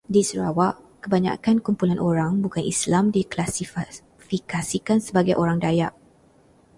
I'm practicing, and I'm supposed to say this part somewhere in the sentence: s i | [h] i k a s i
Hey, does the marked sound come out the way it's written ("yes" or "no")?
no